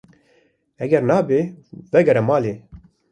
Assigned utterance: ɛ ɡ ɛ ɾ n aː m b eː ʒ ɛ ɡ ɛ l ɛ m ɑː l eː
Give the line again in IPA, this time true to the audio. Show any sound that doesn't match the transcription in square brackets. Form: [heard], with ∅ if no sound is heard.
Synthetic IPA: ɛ ɡ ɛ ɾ n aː [∅] b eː [v] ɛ ɡ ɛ [ɾ] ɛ m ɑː l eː

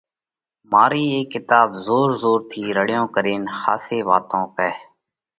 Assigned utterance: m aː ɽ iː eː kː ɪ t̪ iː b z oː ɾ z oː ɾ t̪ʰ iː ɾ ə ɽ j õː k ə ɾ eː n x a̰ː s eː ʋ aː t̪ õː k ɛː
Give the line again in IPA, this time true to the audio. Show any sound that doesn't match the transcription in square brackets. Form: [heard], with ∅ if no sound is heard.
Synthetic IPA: m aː [ɾ] iː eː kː ɪ t̪ [aː] b z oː ɾ z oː ɾ t̪ʰ iː ɾ ə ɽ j õː k ə ɾ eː n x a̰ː s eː ʋ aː t̪ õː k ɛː

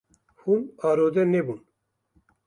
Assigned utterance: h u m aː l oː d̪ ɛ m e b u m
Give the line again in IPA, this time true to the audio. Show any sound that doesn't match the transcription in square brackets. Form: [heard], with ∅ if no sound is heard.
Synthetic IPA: h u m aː [ɾ] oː d̪ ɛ [n] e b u [n]

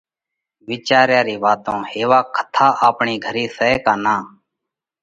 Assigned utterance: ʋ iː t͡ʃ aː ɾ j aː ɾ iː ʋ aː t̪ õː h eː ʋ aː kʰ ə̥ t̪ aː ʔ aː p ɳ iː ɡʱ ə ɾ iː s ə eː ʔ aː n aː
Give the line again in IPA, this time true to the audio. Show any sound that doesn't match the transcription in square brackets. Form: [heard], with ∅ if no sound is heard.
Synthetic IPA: ʋ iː t͡ʃ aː ɾ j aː ɾ iː ʋ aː t̪ õː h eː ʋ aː kʰ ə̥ [t̪ʰ] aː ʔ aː p ɳ iː ɡʱ ə ɾ iː s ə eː [k] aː n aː

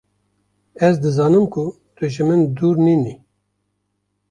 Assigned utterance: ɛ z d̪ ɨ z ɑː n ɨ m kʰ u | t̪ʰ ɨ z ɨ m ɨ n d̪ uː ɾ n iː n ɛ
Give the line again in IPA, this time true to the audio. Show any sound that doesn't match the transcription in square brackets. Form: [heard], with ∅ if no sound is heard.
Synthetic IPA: ɛ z d̪ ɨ z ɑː n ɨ m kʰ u | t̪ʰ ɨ [ʒ] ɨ m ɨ n d̪ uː ɾ n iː n [i]

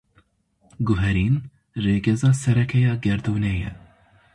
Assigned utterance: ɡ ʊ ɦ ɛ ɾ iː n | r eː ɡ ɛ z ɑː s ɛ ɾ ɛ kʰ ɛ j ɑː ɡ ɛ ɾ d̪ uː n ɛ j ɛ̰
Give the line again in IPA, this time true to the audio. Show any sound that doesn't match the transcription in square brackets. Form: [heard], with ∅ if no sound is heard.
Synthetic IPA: ɡ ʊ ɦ ɛ ɾ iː n | r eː ɡ ɛ z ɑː s ɛ ɾ ɛ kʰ ɛ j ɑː ɡ ɛ ɾ d̪ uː n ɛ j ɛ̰

